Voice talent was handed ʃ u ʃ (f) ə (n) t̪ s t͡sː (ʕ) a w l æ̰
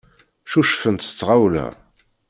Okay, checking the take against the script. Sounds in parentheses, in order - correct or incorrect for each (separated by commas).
correct, correct, incorrect